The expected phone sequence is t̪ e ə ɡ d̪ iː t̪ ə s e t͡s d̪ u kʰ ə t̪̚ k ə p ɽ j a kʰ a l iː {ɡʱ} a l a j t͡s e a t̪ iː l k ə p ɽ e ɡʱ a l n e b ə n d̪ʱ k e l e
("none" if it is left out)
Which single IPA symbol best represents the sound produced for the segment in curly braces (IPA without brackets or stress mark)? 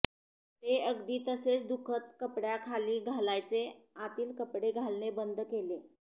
ɡʱ